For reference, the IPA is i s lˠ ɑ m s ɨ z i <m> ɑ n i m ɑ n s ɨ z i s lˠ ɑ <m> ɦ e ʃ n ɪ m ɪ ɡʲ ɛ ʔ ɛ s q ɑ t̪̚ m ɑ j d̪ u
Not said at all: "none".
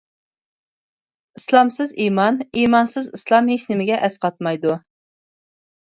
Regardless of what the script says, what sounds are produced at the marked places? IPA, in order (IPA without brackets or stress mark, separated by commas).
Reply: m, m